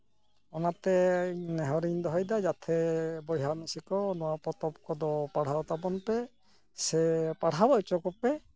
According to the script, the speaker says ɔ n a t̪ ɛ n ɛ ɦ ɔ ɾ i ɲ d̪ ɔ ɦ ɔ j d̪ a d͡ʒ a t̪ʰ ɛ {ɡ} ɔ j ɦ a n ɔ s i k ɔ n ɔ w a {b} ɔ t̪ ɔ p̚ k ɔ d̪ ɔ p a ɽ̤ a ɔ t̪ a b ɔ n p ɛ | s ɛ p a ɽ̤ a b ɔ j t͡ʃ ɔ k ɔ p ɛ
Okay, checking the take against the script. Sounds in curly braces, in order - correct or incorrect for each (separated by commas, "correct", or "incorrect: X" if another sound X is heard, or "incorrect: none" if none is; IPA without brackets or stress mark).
incorrect: b, incorrect: p